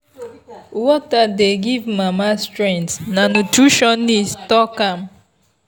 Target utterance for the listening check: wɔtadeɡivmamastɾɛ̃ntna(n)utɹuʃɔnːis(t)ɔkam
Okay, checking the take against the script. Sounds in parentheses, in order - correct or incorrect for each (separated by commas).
correct, correct